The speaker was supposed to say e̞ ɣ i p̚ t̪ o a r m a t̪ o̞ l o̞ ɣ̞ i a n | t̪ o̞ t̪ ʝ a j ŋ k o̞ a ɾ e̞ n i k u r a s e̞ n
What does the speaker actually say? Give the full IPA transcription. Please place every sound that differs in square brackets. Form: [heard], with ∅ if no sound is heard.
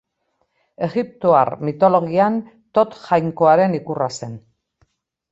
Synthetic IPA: e̞ ɣ i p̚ t̪ o a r m [i] t̪ o̞ l o̞ ɣ̞ i a n | t̪ o̞ t̪ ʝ a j ŋ k o̞ a ɾ e̞ n i k u r a s e̞ n